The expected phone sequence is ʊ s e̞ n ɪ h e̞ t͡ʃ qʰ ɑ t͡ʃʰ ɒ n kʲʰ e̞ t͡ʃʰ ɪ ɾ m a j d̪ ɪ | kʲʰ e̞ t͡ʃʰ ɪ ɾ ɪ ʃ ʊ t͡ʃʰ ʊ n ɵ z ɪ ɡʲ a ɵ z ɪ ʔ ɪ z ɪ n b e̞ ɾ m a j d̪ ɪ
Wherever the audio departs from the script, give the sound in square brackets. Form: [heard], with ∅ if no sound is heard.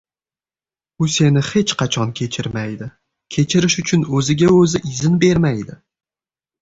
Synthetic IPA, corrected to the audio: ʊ s e̞ n ɪ h e̞ t͡ʃ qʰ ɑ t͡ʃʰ ɒ n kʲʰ e̞ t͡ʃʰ ɪ ɾ m a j d̪ ɪ | kʲʰ e̞ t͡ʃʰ ɪ ɾ ɪ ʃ ʊ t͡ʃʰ ʊ n ɵ z ɪ ɡʲ a ɵ z ɪ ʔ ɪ z ɪ n b e̞ ɾ m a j d̪ ɪ